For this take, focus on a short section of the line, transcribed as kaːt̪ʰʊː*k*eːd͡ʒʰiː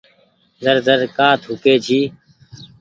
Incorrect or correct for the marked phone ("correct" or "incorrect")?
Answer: correct